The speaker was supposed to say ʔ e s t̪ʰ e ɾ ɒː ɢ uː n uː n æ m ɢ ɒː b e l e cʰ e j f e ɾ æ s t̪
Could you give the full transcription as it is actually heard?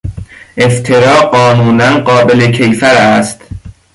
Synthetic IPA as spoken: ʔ e f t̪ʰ e ɾ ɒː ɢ ɒː n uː n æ n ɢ ɒː b e l e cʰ e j f æ ɾ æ s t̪

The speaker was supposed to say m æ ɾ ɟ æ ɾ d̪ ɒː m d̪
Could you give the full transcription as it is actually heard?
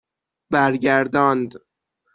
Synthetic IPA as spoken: b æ ɾ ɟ æ ɾ d̪ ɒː n d̪

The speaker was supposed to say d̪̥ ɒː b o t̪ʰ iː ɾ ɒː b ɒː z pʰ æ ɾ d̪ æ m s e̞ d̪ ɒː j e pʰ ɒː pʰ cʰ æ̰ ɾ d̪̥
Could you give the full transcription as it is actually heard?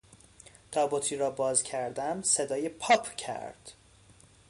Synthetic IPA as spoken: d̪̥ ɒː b o t̪ʰ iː ɾ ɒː b ɒː z cʰ æ ɾ d̪ æ m s e̞ d̪ ɒː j e pʰ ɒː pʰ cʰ æ̰ ɾ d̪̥

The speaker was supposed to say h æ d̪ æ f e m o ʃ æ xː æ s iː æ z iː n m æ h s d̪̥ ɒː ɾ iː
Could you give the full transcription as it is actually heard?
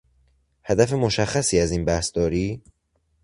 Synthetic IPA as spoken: h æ d̪ æ f e m o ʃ æ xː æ s iː æ z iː n b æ h s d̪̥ ɒː ɾ iː

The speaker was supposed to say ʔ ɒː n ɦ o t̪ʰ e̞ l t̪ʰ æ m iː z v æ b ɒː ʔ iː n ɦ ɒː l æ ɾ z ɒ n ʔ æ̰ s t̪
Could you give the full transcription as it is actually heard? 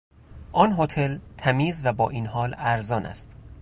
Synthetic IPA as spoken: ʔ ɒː n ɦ o t̪ʰ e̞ l t̪ʰ æ m iː z v æ b ɒː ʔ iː n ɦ ɒː l æ ɾ z ɒː n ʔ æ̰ s t̪

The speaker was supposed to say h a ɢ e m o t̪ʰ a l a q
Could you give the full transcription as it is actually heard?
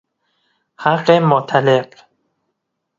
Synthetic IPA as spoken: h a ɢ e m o t̪ʰ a l e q

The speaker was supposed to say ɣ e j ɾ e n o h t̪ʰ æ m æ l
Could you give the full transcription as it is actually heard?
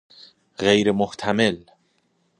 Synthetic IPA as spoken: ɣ e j ɾ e m o h t̪ʰ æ m e l

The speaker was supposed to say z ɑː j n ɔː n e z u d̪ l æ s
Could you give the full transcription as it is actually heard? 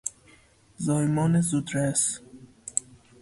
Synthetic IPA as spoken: z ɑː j m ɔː n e z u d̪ ɾ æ s

